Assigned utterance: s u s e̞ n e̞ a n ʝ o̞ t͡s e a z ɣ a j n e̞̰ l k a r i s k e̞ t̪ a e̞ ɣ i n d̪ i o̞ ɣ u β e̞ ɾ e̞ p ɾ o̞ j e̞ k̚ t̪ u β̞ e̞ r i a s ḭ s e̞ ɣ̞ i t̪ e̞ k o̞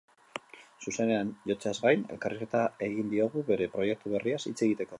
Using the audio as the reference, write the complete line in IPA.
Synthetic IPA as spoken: s u s e̞ n e̞ a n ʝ o̞ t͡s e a z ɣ a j n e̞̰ l k a r i s k e̞ t̪ a e̞ ɣ i n d̪ i o̞ ɣ u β e̞ ɾ e̞ p ɾ o̞ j e̞ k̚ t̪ u β̞ e̞ r i a s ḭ t͡s e̞ ɣ̞ i t̪ e̞ k o̞